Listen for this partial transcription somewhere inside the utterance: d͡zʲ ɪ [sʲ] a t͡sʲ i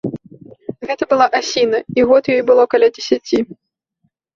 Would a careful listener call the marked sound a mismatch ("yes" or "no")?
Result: no